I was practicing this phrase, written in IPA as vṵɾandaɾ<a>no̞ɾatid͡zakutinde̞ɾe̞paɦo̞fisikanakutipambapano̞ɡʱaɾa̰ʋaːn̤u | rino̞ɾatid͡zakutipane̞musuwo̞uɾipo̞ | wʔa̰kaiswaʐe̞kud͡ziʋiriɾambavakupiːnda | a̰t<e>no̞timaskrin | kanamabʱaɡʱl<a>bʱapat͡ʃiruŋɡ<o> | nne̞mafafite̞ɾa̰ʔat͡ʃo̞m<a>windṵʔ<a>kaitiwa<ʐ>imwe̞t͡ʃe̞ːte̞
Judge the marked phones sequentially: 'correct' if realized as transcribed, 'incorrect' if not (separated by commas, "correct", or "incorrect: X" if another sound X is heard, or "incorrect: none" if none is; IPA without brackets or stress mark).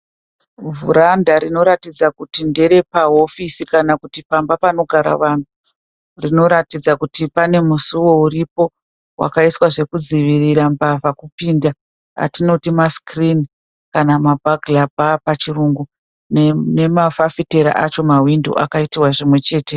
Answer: incorrect: i, incorrect: i, correct, incorrect: u, correct, correct, correct